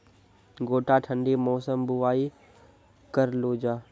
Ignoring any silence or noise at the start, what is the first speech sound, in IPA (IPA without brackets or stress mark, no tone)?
ɡ